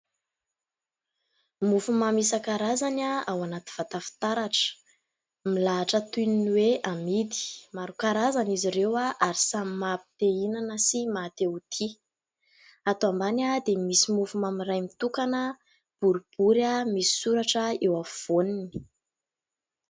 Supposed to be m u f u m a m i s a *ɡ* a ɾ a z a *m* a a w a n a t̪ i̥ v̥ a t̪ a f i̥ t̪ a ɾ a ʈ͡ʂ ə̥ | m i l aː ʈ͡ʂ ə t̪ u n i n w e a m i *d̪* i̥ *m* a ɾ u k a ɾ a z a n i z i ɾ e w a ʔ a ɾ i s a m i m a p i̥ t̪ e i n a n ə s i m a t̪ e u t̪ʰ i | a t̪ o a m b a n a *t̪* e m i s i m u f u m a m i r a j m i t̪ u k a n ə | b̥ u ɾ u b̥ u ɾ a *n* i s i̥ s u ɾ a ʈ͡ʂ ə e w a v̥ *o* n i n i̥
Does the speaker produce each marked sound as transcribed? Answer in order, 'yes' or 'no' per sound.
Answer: no, no, yes, yes, no, no, yes

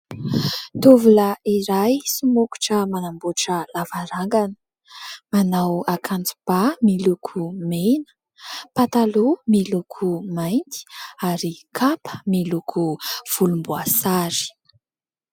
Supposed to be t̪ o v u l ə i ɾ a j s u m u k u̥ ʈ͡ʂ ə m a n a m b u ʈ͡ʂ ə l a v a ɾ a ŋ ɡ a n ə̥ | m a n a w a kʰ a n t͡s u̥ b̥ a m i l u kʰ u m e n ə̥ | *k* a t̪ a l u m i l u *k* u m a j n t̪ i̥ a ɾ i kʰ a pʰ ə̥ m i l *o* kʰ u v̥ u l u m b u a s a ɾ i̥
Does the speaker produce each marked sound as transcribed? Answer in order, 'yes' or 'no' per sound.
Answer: no, no, no

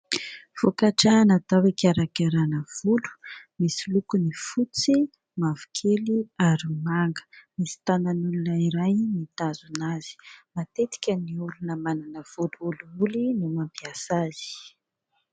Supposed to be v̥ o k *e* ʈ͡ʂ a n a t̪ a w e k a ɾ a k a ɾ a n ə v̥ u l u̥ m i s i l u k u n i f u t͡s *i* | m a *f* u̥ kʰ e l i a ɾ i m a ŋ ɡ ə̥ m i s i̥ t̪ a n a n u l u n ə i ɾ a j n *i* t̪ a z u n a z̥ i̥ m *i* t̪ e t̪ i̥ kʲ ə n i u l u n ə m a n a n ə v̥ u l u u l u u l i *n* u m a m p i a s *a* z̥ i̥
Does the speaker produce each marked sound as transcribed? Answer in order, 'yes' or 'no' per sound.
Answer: no, yes, no, yes, no, yes, yes

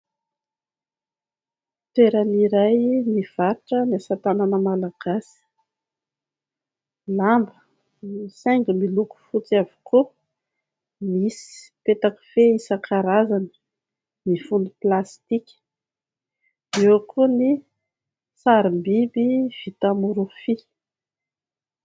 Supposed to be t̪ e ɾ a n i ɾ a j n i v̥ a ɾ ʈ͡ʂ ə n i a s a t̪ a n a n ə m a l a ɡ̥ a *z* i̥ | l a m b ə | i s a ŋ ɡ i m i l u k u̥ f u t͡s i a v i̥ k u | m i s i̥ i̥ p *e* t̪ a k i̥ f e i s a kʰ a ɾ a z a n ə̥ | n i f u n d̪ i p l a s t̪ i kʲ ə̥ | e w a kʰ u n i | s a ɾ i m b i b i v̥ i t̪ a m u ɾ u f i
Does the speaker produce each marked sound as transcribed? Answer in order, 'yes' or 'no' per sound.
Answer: no, yes

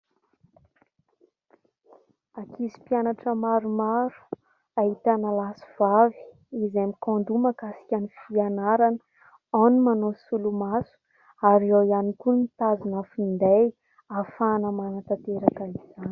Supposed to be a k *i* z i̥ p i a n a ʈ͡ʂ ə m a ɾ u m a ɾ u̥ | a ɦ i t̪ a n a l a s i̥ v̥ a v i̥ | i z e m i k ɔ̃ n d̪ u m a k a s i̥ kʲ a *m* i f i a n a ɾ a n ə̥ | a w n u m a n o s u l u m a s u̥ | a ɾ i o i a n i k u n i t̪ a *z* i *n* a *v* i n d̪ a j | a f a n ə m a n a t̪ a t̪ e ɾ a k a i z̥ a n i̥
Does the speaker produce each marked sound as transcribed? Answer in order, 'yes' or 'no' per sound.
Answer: yes, no, yes, yes, no

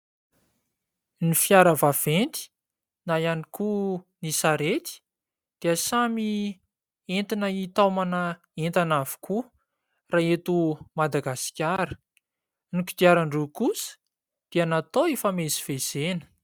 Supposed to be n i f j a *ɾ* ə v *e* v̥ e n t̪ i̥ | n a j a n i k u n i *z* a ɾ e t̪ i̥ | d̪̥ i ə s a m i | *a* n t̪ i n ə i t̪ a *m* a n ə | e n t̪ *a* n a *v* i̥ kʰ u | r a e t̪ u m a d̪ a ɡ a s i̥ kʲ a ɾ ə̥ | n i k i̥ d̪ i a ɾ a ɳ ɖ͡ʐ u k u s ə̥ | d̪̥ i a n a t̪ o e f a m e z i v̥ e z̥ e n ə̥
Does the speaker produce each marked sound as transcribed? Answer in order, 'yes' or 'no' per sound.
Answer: yes, no, no, no, yes, yes, yes

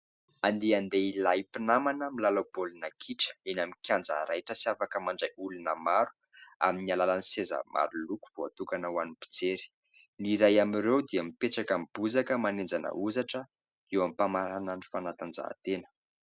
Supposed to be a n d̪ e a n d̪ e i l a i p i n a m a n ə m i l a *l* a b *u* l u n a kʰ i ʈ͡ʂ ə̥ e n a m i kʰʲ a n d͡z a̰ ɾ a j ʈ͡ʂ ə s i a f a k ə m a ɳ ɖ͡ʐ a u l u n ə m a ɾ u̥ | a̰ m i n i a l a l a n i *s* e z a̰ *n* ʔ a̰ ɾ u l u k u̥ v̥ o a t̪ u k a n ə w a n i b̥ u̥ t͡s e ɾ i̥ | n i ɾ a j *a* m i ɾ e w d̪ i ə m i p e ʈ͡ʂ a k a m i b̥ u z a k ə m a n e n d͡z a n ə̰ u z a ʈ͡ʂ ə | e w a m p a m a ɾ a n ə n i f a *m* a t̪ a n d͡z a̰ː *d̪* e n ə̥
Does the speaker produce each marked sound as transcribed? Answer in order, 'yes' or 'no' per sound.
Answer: yes, no, yes, no, yes, no, no

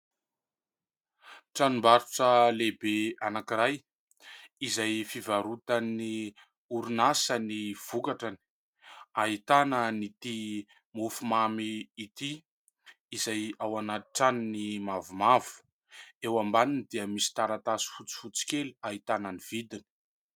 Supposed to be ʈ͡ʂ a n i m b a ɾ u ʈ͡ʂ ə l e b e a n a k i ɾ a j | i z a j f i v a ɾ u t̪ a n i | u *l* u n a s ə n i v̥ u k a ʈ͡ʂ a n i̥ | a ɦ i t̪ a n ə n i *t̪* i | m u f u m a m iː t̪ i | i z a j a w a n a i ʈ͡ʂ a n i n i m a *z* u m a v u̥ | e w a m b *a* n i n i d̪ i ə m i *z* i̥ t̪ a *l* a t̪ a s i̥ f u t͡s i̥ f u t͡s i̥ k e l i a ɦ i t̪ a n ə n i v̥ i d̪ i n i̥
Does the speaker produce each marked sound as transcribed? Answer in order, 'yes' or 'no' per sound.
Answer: no, yes, no, yes, no, no

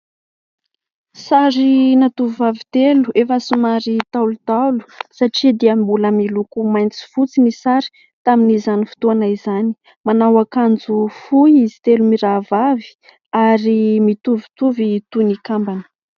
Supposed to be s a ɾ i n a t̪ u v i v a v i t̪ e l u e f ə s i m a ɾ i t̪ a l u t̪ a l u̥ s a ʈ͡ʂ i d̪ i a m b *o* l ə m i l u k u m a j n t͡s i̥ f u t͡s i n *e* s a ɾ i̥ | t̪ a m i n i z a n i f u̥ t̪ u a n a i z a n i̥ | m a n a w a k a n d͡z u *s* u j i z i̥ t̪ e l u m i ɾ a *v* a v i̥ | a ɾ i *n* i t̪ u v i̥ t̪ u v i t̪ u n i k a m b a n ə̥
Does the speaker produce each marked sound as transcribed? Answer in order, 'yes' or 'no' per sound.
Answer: no, no, no, yes, no

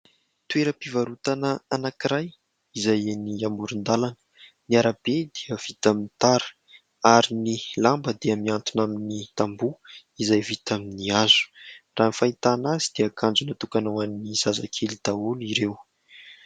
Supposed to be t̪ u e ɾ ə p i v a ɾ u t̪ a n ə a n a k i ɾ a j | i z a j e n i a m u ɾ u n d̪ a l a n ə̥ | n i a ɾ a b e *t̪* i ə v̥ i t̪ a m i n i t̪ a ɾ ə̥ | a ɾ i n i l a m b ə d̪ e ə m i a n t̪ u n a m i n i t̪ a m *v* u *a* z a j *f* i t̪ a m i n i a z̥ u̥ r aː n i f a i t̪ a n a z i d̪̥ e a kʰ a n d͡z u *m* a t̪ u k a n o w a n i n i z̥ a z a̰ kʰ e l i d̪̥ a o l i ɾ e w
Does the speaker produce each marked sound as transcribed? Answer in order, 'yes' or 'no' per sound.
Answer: no, no, no, no, no

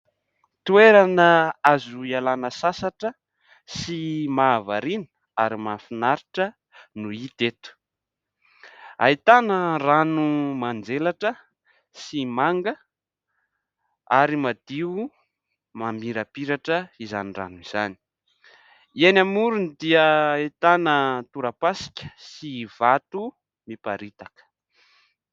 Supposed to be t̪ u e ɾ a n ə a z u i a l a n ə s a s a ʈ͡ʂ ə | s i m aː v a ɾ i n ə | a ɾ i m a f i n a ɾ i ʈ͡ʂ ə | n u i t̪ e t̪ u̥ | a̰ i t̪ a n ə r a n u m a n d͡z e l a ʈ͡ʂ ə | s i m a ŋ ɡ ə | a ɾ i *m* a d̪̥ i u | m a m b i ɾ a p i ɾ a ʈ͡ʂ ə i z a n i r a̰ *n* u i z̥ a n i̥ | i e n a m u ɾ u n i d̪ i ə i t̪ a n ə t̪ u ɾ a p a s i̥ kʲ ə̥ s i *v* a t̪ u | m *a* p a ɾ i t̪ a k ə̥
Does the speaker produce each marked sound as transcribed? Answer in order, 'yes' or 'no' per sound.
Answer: yes, yes, yes, no

